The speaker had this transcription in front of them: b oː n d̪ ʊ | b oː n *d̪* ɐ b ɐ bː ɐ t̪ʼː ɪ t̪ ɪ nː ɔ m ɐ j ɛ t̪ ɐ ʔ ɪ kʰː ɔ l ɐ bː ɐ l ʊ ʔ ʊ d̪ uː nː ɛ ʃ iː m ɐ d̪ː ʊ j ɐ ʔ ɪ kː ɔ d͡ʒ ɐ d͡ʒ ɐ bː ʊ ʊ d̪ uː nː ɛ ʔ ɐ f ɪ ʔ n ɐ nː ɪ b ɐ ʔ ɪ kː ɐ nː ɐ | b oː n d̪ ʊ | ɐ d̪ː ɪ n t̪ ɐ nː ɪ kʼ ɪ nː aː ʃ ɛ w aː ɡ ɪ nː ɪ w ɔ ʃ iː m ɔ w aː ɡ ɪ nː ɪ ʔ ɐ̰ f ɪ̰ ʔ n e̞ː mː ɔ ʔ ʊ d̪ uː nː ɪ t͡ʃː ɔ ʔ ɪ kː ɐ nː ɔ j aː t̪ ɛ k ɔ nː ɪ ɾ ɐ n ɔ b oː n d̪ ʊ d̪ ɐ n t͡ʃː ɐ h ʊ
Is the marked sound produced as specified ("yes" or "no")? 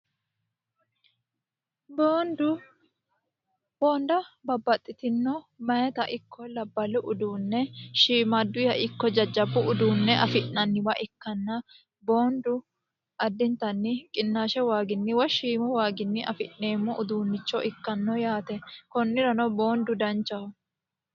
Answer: yes